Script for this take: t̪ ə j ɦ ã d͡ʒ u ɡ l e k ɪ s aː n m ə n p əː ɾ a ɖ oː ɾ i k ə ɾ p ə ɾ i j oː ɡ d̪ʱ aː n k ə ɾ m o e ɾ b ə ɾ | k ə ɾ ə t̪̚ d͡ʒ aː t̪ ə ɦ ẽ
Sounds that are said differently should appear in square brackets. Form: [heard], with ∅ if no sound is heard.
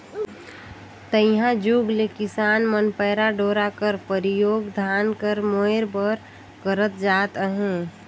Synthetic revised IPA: t̪ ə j ɦ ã d͡ʒ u ɡ l e k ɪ s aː n m ə n p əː ɾ a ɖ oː ɾ [a] k ə ɾ p ə ɾ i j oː ɡ d̪ʱ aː n k ə ɾ m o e ɾ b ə ɾ | k ə ɾ ə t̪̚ d͡ʒ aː t̪ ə ɦ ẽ